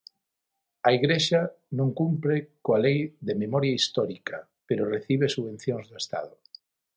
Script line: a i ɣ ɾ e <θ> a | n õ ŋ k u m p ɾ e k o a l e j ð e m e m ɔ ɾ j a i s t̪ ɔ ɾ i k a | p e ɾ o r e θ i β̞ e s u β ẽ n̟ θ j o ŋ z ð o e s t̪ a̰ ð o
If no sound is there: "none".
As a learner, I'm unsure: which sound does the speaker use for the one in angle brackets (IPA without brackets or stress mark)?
ʃ